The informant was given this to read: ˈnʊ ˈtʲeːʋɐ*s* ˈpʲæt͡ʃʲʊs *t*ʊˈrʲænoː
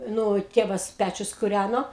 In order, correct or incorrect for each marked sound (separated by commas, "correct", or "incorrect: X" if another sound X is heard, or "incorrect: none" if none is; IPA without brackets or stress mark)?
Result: correct, incorrect: k